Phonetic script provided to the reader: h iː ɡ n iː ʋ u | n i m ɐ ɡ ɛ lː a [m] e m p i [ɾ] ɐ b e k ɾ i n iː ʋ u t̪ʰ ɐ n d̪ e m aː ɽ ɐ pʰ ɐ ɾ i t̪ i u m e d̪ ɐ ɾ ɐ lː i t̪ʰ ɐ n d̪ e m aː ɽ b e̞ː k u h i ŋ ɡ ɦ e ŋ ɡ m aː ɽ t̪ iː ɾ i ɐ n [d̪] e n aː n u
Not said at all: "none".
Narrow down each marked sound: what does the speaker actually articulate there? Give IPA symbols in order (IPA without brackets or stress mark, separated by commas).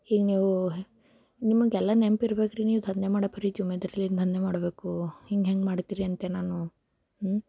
n, ɾ, t̪